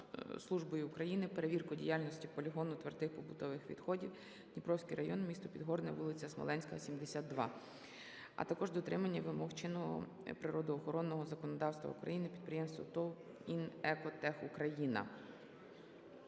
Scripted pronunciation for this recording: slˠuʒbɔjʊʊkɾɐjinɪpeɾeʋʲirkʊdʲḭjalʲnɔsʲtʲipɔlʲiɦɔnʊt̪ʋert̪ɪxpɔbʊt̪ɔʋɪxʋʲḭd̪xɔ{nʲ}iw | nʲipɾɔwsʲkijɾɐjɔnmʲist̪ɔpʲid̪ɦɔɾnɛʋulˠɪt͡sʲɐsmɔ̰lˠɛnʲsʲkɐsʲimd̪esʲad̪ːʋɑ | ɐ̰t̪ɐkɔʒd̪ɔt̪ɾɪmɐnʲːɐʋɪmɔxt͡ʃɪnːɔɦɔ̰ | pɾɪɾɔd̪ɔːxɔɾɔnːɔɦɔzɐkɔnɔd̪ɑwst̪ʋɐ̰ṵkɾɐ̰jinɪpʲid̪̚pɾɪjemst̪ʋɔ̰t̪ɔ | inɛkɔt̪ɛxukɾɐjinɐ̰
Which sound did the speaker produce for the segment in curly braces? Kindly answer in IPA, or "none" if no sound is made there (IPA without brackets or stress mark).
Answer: dʲ